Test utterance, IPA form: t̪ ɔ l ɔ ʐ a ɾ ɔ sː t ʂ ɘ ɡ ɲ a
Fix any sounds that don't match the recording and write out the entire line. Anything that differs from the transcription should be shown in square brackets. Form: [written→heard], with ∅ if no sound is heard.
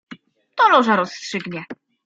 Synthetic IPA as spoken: t̪ ɔ l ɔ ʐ a ɾ ɔ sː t ʂ ɘ ɡ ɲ [a→ɛ]